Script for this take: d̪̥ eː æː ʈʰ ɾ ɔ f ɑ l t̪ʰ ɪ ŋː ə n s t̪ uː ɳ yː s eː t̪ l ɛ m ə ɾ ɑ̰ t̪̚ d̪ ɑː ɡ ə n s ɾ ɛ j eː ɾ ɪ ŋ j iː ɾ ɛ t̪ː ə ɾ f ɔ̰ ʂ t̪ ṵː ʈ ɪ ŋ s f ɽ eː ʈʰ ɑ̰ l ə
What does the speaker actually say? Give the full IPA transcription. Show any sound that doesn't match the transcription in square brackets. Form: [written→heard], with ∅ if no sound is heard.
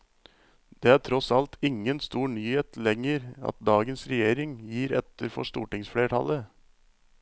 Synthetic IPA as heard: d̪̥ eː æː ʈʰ ɾ ɔ [f→s] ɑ l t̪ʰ ɪ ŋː ə n s t̪ uː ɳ yː [s→h] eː t̪ l ɛ [m→ŋ] ə ɾ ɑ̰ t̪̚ d̪ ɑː ɡ ə n s ɾ ɛ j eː ɾ ɪ ŋ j iː ɾ ɛ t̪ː ə ɾ f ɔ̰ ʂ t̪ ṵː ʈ ɪ ŋ s f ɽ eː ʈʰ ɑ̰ l ə